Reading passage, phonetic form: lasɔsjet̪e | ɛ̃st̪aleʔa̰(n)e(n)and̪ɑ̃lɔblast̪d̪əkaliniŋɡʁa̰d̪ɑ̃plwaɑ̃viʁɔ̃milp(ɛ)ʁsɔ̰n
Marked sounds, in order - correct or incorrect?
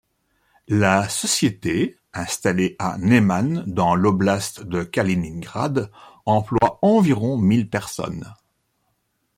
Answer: correct, incorrect: m, correct

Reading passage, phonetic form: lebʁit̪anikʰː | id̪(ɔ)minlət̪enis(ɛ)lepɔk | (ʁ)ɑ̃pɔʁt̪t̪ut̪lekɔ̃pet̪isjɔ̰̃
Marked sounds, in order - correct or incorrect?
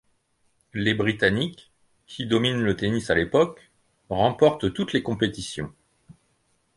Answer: correct, incorrect: a, correct

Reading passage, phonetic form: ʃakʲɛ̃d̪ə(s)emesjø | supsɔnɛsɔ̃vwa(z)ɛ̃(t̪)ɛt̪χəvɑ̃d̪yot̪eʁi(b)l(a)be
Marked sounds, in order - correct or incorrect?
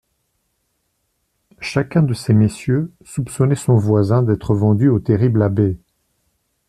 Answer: correct, correct, incorrect: d̪, correct, correct

